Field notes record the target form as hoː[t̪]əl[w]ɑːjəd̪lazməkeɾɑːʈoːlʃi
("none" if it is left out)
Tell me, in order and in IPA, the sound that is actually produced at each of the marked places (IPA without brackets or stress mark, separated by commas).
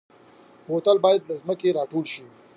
t̪, b